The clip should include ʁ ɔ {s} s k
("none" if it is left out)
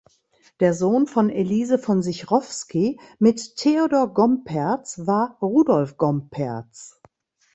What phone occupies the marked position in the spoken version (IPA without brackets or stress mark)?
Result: f